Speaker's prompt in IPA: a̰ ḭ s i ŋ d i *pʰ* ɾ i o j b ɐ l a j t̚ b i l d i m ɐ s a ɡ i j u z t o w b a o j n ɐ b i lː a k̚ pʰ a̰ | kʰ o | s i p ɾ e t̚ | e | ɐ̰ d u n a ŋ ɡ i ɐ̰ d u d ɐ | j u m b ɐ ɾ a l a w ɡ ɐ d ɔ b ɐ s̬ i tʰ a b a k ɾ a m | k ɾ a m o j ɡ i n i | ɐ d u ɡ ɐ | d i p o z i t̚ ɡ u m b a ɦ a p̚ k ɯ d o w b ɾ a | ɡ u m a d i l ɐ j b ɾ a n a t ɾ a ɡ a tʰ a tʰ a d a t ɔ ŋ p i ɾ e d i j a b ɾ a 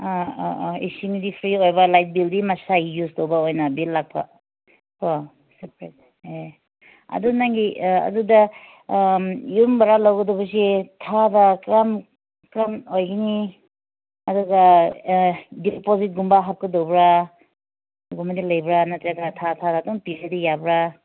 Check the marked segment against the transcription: correct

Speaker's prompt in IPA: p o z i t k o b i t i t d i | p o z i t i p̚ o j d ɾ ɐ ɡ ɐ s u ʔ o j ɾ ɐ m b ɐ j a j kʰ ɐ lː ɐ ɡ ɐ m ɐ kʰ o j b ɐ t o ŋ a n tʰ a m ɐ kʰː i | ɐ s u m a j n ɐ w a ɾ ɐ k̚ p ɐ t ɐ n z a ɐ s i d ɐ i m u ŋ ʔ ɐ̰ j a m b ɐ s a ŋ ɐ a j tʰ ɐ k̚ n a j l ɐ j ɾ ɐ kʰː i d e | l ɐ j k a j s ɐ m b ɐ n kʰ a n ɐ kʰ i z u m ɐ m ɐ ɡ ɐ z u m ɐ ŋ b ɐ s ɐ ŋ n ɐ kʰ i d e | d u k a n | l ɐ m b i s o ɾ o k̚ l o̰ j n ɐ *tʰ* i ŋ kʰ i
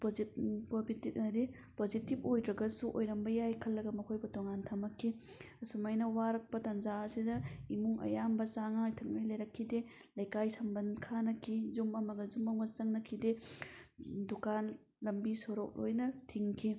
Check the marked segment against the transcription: correct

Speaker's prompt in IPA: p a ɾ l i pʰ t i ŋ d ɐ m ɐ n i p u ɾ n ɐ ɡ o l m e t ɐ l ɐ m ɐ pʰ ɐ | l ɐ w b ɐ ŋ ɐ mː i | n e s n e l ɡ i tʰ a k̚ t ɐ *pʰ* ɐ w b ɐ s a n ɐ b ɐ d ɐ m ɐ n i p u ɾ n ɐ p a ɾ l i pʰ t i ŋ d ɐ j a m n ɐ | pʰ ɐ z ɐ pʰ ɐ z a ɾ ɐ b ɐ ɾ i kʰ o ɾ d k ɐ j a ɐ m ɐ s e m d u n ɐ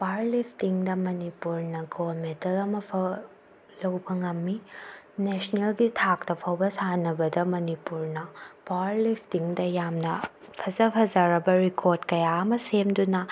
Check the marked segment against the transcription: correct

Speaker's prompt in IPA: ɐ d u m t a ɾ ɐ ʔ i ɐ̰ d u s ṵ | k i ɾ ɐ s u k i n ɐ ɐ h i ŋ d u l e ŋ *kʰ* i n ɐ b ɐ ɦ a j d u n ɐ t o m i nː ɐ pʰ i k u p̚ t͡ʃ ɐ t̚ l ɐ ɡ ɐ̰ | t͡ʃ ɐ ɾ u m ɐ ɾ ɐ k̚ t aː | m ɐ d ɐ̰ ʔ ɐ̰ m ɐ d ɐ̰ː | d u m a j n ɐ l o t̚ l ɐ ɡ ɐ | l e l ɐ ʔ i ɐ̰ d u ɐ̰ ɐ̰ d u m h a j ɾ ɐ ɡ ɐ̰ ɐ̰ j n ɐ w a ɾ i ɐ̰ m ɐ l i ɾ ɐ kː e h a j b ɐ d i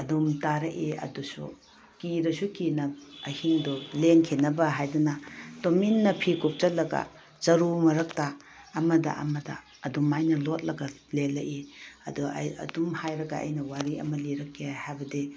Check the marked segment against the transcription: correct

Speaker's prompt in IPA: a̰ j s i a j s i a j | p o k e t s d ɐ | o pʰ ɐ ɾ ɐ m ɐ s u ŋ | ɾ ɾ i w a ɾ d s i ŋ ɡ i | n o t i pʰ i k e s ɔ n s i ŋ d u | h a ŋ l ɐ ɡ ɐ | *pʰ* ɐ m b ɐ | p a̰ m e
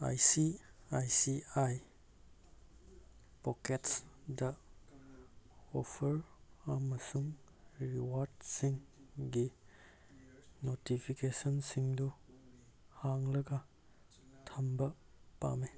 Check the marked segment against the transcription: incorrect: tʰ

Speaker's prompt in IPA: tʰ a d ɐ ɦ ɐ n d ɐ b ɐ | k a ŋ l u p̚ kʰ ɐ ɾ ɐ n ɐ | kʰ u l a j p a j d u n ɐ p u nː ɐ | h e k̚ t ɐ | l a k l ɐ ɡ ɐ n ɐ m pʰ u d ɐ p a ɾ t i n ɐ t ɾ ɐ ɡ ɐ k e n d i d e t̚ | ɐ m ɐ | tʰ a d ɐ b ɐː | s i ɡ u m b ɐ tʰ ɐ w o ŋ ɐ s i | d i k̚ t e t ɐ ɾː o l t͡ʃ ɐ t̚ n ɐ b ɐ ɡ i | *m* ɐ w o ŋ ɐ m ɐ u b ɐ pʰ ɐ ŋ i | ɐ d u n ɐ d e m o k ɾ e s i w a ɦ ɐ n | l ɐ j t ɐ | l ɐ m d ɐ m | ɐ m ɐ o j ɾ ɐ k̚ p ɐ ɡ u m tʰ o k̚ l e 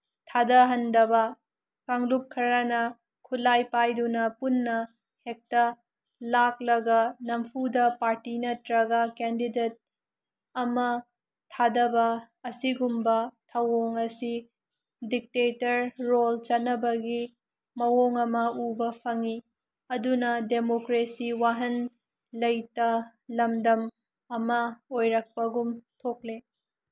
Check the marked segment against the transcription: correct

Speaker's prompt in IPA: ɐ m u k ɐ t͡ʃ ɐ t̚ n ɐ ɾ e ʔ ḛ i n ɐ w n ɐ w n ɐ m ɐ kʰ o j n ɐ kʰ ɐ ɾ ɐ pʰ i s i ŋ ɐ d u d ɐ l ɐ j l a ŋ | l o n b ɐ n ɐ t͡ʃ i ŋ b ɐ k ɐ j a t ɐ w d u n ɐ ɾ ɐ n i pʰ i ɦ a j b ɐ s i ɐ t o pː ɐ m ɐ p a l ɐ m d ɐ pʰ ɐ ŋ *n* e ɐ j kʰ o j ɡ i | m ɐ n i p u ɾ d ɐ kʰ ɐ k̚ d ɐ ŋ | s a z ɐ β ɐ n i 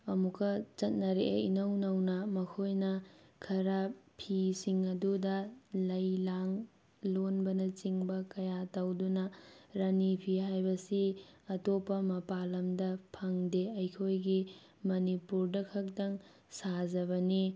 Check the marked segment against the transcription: incorrect: d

